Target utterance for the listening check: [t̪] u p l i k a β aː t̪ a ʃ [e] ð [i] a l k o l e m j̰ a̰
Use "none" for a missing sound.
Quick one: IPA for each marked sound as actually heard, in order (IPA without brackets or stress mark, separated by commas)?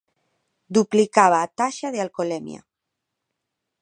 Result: d̪, a, e